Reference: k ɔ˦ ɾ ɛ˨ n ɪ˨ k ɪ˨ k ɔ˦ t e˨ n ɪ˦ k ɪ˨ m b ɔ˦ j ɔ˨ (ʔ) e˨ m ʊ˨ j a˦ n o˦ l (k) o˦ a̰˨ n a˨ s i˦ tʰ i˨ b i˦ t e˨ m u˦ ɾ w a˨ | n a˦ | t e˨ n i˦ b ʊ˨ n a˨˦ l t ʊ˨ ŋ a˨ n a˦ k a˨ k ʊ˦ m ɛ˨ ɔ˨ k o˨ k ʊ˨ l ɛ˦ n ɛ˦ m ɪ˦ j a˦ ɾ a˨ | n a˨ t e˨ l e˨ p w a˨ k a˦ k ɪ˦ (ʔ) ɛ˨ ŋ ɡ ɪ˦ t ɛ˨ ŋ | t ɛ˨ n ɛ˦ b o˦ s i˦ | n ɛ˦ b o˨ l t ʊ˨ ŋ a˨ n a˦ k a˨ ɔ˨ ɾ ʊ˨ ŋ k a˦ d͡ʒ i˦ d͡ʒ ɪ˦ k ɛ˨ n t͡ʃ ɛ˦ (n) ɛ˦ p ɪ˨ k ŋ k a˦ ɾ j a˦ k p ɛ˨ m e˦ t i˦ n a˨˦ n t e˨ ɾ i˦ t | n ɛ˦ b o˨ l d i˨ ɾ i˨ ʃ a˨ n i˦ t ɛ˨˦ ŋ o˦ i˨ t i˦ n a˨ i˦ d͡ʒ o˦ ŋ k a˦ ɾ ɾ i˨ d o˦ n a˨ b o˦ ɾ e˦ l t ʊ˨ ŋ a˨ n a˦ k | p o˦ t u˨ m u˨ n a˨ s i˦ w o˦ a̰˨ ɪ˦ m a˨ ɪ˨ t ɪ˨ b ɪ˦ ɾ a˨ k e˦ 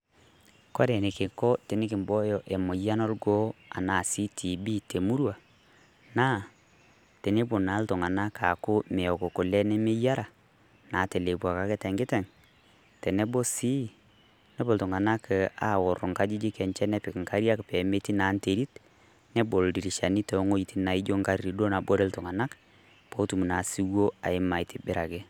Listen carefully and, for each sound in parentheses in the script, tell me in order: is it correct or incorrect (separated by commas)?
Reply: correct, incorrect, incorrect, correct